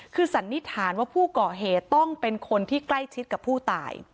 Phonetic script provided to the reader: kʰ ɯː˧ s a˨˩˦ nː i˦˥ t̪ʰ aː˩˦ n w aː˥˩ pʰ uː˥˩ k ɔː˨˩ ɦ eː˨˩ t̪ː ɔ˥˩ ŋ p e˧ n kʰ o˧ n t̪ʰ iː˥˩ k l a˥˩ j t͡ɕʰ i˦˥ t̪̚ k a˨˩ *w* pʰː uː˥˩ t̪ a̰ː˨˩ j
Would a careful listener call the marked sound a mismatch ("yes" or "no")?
yes